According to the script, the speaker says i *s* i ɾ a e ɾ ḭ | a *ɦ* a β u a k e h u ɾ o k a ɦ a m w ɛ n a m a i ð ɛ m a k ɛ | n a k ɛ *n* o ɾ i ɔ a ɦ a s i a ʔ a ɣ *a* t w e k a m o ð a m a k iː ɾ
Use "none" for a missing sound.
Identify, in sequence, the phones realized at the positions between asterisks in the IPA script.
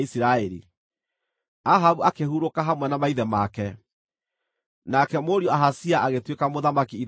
s, ɦ, m, e

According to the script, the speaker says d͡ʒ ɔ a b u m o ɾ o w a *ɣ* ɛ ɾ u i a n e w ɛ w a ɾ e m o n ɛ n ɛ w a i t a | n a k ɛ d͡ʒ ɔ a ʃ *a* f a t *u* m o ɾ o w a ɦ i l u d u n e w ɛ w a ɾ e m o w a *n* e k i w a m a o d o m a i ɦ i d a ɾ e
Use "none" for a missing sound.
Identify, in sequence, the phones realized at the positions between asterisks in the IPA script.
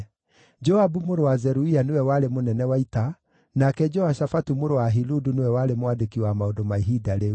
z, a, u, d

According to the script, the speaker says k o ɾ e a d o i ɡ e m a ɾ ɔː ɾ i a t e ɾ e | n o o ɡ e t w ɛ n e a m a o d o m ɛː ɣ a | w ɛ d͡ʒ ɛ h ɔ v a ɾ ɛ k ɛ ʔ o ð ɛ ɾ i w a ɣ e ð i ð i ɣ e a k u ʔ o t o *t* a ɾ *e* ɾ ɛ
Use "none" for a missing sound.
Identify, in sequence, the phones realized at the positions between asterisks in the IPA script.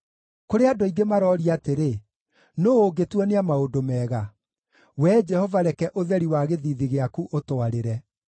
none, e

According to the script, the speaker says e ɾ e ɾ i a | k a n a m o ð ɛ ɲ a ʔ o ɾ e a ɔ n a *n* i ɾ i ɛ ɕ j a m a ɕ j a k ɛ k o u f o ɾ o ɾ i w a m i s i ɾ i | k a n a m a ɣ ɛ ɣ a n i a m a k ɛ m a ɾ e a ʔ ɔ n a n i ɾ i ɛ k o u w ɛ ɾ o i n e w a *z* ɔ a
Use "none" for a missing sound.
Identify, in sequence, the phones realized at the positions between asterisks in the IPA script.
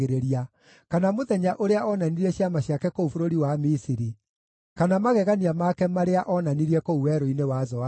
n, z

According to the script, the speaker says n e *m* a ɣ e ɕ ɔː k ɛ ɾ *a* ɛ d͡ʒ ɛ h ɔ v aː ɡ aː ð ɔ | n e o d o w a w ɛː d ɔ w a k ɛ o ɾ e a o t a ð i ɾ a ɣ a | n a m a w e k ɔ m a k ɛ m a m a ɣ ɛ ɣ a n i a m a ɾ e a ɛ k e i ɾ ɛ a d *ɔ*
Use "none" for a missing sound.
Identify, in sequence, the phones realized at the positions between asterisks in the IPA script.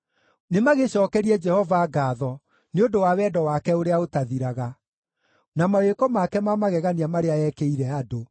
m, i, o

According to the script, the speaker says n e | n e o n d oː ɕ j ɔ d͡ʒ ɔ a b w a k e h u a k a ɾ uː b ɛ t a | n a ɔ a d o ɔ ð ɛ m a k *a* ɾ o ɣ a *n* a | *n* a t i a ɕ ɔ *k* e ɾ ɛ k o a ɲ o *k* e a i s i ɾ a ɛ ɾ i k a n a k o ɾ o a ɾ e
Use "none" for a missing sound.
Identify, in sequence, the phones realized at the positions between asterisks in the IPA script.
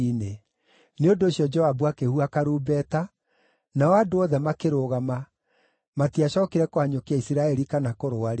e, m, m, k, k

